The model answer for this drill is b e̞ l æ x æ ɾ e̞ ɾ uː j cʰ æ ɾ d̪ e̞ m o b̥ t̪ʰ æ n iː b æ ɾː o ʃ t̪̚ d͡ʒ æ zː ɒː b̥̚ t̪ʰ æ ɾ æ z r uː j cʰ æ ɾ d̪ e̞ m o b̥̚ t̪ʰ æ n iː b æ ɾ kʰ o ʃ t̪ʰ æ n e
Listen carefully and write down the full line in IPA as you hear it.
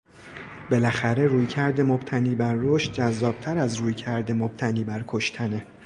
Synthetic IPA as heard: b e̞ l æ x æ ɾ e̞ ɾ uː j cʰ æ ɾ d̪ e̞ m o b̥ t̪ʰ æ n iː b æ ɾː o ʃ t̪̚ d͡ʒ æ zː ɒː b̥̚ t̪ʰ æ ɾ æ z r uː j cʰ æ ɾ d̪ e̞ m o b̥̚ t̪ʰ æ n iː b æ ɾ kʰ o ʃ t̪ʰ æ n e